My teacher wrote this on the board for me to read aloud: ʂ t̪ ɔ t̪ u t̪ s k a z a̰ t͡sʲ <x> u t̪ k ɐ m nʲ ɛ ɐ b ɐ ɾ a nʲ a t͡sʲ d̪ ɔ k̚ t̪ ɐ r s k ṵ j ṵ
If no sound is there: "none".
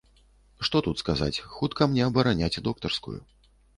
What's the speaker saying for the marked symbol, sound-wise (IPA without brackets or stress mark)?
x